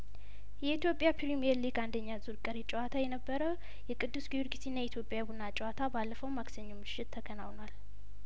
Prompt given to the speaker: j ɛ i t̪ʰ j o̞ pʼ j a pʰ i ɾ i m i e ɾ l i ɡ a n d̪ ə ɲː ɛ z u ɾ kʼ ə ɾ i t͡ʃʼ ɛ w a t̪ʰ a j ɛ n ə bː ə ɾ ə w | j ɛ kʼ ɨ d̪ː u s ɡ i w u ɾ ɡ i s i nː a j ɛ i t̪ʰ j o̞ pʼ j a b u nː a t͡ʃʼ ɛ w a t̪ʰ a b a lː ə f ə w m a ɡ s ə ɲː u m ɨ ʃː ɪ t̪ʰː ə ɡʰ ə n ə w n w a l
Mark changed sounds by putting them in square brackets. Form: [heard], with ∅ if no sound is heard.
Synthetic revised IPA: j ɛ i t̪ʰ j o̞ pʼ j a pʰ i ɾ i m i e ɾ l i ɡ a n d̪ ə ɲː [a] z u ɾ kʼ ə ɾ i t͡ʃʼ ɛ w a t̪ʰ a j ɛ n ə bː ə ɾ ə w | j ɛ kʼ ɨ d̪ː u s ɡ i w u ɾ ɡ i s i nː a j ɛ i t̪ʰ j o̞ pʼ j a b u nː a t͡ʃʼ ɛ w a t̪ʰ a b a lː ə f ə w m a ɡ s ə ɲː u m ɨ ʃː ɪ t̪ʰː ə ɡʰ ə n [a] w n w a l